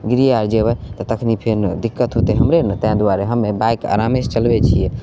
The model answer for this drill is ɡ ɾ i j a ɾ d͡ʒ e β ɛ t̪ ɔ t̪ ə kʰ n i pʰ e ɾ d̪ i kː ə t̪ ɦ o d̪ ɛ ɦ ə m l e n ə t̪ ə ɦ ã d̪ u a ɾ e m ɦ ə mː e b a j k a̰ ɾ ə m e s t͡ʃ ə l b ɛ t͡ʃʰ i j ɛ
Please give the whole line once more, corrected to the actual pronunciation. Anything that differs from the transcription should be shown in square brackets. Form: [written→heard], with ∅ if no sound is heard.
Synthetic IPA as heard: ɡ ɾ i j a ɾ d͡ʒ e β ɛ t̪ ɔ t̪ ə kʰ n i pʰ e ɾ d̪ i kː ə t̪ ɦ o [d̪→t̪] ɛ ɦ ə m [l→ɾ] e n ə t̪ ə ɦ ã d̪ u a ɾ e [m→∅] ɦ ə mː e b a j k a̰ ɾ [ə→a] m e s t͡ʃ ə l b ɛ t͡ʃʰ i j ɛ